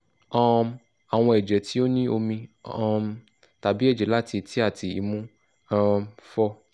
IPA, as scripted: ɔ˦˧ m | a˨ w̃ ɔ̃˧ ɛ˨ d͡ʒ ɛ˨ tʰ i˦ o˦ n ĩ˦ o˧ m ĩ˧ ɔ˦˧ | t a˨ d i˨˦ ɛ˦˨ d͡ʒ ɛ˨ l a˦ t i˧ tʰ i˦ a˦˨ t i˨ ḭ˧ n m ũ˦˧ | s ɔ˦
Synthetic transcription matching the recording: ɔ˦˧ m | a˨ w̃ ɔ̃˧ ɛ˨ d͡ʒ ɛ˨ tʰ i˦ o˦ n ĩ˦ o˧ m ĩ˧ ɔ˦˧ | t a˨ b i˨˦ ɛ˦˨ d͡ʒ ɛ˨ l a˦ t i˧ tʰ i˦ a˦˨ t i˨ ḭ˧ m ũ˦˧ | f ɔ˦